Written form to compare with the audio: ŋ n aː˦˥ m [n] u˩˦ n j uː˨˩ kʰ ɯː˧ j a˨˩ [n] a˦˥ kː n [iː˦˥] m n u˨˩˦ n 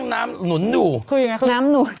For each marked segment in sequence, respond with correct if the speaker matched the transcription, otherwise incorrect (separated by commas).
correct, incorrect, incorrect